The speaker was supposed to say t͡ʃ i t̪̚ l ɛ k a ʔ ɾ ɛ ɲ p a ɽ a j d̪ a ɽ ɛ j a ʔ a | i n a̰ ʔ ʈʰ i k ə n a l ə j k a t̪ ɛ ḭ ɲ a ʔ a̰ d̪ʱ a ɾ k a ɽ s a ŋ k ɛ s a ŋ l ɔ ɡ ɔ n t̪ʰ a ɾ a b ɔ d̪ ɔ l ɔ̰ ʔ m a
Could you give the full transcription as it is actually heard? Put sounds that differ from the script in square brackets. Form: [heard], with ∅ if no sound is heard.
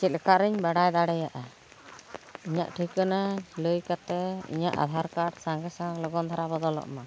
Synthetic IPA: t͡ʃ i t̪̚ l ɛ k a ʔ ɾ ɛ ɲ [b] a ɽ a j d̪ a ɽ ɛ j a ʔ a | i [ɲ] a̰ ʔ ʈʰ i k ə n a l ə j k a t̪ ɛ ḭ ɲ a ʔ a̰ d̪ʱ a ɾ k a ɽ s a ŋ [ɡ] ɛ s a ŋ l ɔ ɡ ɔ n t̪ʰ a ɾ a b ɔ d̪ ɔ l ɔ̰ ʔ m a